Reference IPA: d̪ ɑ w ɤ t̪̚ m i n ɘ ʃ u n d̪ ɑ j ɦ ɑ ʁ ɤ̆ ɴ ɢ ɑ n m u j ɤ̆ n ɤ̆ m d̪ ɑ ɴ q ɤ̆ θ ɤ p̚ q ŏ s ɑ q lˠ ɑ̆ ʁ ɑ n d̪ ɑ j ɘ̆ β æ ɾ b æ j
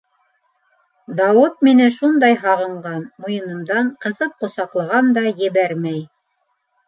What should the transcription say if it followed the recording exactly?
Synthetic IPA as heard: d̪ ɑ w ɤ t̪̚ m i n ɘ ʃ u n d̪ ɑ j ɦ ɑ ʁ ɤ̆ ɴ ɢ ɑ n m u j ɤ̆ n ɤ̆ m d̪ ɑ ɴ q ɤ̆ θ ɤ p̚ q ŏ s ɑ q lˠ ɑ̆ ʁ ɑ n d̪ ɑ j ɘ̆ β æ ɾ m æ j